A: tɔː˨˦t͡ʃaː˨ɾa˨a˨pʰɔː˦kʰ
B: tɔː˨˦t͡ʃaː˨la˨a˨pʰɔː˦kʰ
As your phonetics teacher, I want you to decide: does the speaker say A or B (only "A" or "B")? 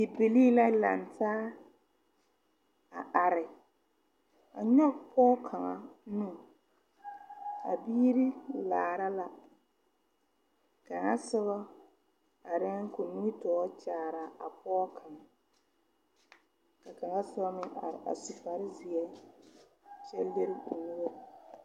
A